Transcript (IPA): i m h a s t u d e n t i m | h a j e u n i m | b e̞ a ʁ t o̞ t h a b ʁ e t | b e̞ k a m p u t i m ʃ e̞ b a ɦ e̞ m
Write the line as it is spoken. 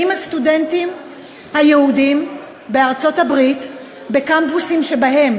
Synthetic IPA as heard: i m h a s t u d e n t i m | h a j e u d i m | b e̞ a ʁ t͡s o̞ t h a b ʁ i t | b e̞ k a m p u s i m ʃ e̞ b a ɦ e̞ m